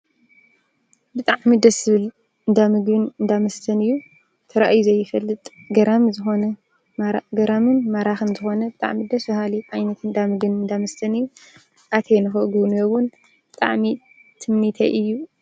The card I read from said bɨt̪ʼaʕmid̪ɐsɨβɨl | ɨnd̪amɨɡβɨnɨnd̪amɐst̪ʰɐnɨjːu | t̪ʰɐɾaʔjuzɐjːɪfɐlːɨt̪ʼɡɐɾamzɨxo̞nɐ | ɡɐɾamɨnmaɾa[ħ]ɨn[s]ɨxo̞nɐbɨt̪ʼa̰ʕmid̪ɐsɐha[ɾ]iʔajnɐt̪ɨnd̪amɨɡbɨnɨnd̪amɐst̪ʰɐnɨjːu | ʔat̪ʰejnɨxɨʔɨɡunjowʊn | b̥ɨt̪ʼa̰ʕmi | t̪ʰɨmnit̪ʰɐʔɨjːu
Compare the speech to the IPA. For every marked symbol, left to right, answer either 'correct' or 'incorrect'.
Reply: incorrect: x, incorrect: z, incorrect: l

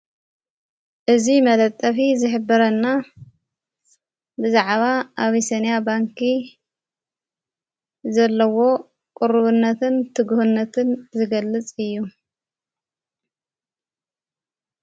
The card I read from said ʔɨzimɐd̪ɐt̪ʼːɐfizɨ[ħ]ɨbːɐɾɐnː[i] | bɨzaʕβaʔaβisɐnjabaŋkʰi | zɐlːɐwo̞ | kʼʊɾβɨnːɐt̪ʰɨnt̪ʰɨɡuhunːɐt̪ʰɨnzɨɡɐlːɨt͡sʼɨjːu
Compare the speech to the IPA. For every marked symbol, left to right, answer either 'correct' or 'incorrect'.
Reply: correct, incorrect: a

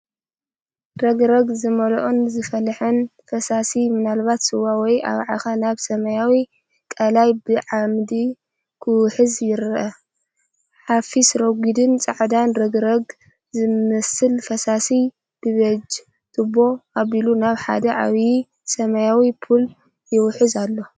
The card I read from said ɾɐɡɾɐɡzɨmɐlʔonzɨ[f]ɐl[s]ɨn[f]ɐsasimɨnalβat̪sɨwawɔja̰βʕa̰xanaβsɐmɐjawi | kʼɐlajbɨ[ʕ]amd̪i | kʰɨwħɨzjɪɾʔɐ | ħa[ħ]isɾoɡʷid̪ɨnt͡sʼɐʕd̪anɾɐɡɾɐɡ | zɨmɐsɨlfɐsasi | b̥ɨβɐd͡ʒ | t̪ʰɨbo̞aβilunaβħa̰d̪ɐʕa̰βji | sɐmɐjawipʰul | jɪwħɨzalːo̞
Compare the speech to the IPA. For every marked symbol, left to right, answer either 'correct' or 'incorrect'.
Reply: correct, incorrect: ħ, correct, correct, incorrect: f

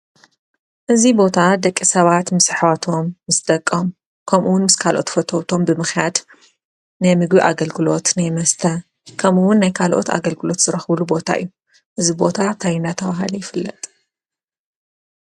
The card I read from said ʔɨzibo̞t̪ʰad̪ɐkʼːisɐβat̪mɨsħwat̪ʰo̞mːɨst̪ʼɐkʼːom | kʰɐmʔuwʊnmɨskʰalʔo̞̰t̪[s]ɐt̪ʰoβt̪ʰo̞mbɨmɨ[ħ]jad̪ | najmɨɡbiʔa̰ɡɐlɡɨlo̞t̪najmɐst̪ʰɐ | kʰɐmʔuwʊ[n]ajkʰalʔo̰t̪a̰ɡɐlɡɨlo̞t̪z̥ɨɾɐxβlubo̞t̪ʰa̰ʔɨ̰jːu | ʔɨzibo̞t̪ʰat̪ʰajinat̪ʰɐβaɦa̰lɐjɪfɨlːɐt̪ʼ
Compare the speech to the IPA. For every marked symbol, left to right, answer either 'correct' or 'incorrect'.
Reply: incorrect: f, incorrect: x, incorrect: nː

